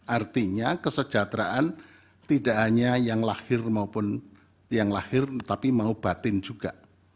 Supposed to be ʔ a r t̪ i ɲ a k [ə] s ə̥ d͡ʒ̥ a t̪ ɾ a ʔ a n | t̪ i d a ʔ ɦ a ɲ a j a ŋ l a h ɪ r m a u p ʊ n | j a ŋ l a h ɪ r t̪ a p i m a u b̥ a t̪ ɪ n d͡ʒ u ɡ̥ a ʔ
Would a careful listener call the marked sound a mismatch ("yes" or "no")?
no